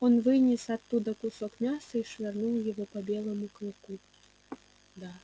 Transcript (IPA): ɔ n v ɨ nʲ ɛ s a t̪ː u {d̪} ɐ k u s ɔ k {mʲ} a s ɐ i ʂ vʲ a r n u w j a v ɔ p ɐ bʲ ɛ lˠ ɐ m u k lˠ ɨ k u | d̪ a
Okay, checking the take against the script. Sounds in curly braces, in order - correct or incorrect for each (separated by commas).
correct, correct